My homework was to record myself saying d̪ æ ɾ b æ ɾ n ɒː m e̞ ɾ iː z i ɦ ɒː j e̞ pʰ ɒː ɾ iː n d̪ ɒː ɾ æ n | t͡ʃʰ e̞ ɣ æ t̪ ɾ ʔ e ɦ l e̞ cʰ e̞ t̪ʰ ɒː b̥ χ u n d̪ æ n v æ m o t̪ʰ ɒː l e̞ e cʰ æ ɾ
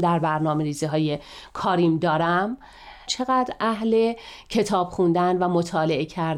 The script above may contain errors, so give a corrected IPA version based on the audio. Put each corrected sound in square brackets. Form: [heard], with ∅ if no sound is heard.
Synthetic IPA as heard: d̪ æ ɾ b æ ɾ n ɒː m e̞ ɾ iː z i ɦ ɒː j e̞ [kʰ] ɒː ɾ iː [m] d̪ ɒː ɾ æ [m] | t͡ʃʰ e̞ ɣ æ [d̪] ɾ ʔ [æ] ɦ l e̞ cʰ e̞ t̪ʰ ɒː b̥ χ u n d̪ æ n v æ m o t̪ʰ ɒː l e̞ e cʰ æ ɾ